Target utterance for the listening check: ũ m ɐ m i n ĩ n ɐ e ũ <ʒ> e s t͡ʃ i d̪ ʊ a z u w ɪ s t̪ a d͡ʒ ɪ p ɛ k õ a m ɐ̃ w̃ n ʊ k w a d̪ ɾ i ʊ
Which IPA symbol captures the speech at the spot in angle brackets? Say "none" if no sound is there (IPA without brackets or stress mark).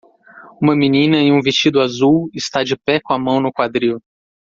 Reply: v